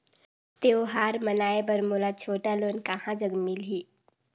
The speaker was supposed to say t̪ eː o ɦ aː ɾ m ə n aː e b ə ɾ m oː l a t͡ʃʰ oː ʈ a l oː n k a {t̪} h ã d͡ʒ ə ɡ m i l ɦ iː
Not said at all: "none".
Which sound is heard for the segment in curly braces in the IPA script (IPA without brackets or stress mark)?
none